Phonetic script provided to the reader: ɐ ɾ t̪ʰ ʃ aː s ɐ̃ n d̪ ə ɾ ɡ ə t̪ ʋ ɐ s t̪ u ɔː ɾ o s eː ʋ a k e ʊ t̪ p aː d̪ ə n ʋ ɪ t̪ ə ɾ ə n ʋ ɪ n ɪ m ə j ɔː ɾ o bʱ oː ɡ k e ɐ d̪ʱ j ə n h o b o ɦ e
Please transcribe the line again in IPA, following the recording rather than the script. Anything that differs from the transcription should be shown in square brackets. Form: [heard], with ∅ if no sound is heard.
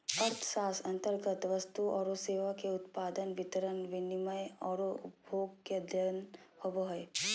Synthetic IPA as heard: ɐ ɾ t̪ʰ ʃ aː s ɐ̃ n [t̪] ə ɾ ɡ ə t̪ ʋ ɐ s t̪ u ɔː ɾ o s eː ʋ a k e ʊ t̪ p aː d̪ ə n ʋ ɪ t̪ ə ɾ ə n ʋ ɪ n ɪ m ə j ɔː ɾ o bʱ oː ɡ k e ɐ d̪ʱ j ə n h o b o ɦ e

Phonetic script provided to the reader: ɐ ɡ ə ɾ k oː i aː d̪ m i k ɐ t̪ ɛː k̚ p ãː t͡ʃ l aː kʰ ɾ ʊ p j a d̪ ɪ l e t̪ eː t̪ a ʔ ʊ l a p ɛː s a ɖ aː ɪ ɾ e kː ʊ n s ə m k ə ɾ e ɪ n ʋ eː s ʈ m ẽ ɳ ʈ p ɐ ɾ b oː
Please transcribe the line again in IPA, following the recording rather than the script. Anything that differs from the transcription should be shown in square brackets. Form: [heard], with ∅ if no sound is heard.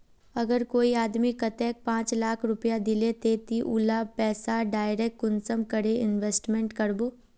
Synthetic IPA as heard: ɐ ɡ ə ɾ k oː i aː d̪ m i k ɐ t̪ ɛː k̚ p ãː t͡ʃ l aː kʰ ɾ ʊ p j a d̪ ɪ l e t̪ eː t̪ [i] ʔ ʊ l a p ɛː s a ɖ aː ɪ ɾ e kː ʊ n s ə m k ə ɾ e ɪ n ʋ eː s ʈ m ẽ ɳ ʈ [k] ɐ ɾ b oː

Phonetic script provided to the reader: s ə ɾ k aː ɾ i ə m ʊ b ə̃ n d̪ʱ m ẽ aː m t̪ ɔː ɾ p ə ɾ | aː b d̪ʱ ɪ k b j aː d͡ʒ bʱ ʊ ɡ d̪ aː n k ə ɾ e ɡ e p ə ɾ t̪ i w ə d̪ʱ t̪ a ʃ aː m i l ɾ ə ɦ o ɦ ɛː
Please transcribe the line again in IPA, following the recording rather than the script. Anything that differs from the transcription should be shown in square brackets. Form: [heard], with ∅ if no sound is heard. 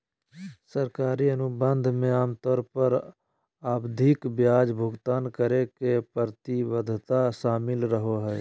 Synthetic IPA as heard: s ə ɾ k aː ɾ i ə [n] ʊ b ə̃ n d̪ʱ m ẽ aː m t̪ ɔː ɾ p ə ɾ | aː b d̪ʱ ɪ k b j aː d͡ʒ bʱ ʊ ɡ [t̪] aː n k ə ɾ e [k] e p ə ɾ t̪ i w ə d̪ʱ t̪ a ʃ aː m [ɪ] l ɾ ə ɦ o ɦ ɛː

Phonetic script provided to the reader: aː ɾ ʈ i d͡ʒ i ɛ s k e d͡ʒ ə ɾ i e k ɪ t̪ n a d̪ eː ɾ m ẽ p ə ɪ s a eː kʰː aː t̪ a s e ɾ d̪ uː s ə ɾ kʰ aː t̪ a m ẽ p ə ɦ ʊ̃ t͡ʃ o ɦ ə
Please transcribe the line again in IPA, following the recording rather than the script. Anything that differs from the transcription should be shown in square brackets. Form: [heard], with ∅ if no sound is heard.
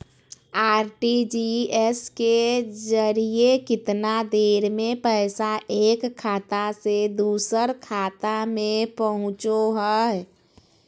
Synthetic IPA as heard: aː ɾ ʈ i d͡ʒ i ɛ s k e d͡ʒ ə ɾ i e k ɪ t̪ n a d̪ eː ɾ m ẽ p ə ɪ s a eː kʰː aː t̪ a s e [∅] d̪ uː s ə ɾ kʰ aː t̪ a m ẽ p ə ɦ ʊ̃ t͡ʃ o ɦ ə

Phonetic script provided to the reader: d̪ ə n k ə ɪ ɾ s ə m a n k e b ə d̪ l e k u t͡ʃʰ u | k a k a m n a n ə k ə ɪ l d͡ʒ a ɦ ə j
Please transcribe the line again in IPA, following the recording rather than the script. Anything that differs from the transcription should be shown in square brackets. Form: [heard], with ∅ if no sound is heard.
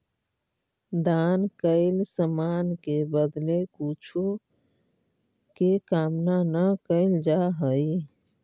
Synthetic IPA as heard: d̪ [a] n k ə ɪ [l] s ə m a n k e b ə d̪ l e k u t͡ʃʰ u | k [e] k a m n a n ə k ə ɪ l d͡ʒ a ɦ ə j

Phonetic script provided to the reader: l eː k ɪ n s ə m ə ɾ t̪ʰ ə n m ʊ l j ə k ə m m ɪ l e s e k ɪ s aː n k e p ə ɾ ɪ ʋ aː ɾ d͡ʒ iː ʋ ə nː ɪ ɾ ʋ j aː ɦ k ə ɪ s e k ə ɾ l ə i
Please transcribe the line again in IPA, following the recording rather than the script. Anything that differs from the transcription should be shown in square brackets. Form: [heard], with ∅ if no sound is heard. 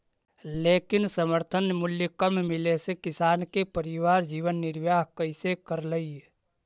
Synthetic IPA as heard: l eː k ɪ n s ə m ə ɾ t̪ʰ ə n m ʊ l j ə k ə m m ɪ l e s e k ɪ s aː n k e p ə ɾ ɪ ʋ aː ɾ d͡ʒ iː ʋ ə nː ɪ ɾ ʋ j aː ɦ k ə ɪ s e k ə ɾ l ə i

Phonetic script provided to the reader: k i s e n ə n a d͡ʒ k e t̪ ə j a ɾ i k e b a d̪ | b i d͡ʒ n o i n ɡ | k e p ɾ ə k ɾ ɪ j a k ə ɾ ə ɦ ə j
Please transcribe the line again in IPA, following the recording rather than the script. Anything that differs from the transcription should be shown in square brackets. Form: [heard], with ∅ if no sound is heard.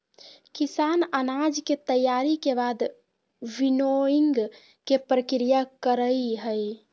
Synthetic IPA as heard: k i s [a] n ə n a d͡ʒ k e t̪ ə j a ɾ i k e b a d̪ | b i [∅] n o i [ŋ] ɡ | k e p ɾ ə k ɾ [i] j a k ə ɾ ə ɦ ə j

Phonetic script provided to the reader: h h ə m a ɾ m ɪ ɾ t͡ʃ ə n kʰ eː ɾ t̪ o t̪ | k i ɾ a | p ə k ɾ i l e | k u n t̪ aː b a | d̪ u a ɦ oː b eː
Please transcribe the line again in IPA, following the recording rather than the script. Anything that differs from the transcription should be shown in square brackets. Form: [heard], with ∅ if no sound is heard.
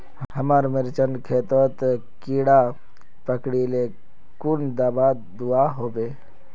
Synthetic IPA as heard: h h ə m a ɾ m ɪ ɾ t͡ʃ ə n kʰ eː [∅] t̪ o t̪ | k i [ɽ] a | p ə k [ɽ] i l e | k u n [d̪] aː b a | d̪ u a ɦ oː b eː

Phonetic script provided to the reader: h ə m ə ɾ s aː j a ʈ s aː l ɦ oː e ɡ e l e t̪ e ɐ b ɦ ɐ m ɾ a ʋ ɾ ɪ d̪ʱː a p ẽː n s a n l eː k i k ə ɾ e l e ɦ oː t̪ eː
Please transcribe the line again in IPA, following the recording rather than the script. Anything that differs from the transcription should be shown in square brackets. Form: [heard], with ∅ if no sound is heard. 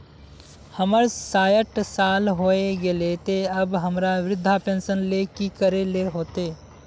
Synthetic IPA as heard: h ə m ə ɾ s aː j [ə] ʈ s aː l ɦ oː e ɡ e l e t̪ e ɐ b ɦ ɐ m ɾ a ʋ ɾ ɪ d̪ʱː a p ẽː n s [ə] n l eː k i k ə ɾ e l e ɦ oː t̪ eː

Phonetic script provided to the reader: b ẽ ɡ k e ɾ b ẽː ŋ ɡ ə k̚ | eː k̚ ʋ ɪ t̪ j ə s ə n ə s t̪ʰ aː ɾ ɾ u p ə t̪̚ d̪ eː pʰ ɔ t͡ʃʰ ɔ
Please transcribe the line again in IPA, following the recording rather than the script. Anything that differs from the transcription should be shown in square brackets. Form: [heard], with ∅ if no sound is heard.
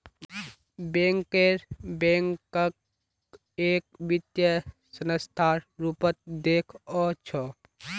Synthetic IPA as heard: b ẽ [ŋ] k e ɾ b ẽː ŋ [k] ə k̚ | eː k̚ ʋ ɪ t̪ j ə s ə n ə s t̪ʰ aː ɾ ɾ u p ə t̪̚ d̪ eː [kʰ] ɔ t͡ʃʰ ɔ

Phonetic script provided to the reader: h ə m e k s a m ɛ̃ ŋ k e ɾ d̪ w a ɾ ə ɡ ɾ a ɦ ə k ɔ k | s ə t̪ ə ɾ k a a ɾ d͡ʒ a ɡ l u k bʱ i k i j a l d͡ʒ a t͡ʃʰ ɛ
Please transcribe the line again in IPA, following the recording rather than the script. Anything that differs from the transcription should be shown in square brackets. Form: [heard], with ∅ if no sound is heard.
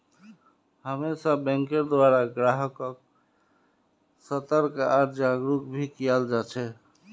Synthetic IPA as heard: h ə m e [∅] s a [b] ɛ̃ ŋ k e ɾ d̪ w a ɾ [a] ɡ ɾ a ɦ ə k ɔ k | s ə t̪ ə ɾ k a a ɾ d͡ʒ a ɡ [ɾ] u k bʱ i k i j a l d͡ʒ a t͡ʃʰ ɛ

